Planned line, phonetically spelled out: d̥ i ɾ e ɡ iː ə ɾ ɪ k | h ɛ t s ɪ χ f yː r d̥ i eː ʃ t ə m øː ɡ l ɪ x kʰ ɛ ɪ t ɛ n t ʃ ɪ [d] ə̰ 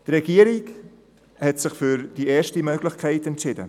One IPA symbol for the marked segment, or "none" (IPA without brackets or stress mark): d